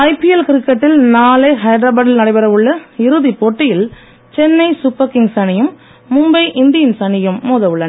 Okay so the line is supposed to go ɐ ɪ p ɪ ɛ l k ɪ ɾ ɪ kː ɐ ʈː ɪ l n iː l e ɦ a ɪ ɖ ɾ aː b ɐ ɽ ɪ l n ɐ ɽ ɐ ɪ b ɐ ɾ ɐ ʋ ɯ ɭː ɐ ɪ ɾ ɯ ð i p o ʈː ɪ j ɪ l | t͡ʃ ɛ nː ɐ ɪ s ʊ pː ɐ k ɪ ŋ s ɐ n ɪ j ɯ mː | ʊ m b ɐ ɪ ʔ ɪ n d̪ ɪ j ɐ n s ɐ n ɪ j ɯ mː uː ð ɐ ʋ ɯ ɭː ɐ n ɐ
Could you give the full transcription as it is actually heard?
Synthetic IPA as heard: ɐ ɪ p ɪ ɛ l k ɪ ɾ ɪ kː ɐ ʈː ɪ l n aː l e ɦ ɐ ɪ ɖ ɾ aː b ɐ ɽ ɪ l n ɐ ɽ ɐ ɪ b ɐ ɾ ɐ ʋ ɯ ɭː ɐ ɪ ɾ ɯ ð i p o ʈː ɪ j ɪ l | t͡ʃ ɛ nː ɐ ɪ s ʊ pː ɐ k ɪ ŋ s ɐ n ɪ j ɯ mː | ʊ m b ɐ ɪ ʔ ɪ n d̪ ɪ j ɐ n s ɐ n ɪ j ɯ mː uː ð ɐ ʋ ɯ ɭː ɐ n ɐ